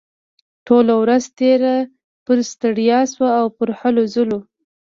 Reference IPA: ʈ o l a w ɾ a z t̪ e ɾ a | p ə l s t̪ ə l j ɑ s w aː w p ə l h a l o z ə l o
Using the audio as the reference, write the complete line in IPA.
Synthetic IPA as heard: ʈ o l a w ɾ a z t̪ e ɾ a | p ə ɾ s t̪ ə ɽ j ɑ s w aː w p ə ɾ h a l o z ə l o